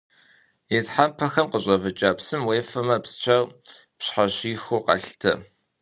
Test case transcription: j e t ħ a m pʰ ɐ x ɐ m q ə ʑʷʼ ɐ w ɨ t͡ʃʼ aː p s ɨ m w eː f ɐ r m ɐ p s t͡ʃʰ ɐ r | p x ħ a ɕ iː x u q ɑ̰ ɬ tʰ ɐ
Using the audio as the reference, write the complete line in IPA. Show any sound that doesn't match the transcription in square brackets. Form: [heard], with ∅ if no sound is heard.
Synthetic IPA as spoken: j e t ħ a m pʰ ɐ x ɐ m q ə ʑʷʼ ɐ [v] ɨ t͡ʃʼ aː p s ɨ m w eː f ɐ [∅] m ɐ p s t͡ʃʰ ɐ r | p [ɕ] ħ a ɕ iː x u q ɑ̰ ɬ tʰ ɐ